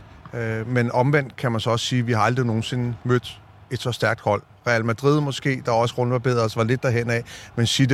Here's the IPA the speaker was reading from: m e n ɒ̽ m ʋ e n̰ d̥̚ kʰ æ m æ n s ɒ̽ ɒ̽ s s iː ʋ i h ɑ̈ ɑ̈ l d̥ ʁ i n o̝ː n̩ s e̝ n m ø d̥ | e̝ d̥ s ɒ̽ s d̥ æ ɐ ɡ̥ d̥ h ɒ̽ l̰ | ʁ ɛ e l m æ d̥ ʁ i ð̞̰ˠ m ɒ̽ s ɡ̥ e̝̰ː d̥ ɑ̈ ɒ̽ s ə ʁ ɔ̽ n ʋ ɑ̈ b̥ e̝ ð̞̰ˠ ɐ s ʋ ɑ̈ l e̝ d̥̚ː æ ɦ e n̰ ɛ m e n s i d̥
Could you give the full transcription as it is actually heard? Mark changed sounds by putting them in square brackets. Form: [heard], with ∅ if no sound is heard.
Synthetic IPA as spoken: m e n ɒ̽ m ʋ e n̰ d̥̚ kʰ æ m æ n s ɒ̽ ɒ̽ s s iː ʋ i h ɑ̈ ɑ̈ l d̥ ʁ i n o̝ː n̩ s e̝ n m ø d̥ | e̝ d̥ s ɒ̽ s d̥ æ ɐ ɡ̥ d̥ h ɒ̽ l̰ | ʁ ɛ [æ] l m æ d̥ ʁ i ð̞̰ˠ m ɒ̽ s ɡ̥ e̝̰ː d̥ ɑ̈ ɒ̽ s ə ʁ ɔ̽ n ʋ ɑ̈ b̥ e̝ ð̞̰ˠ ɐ s ʋ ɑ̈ l e̝ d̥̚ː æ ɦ e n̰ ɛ m e n s i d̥